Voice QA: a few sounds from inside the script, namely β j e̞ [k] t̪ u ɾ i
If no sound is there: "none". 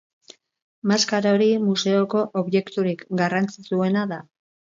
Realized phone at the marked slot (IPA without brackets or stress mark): k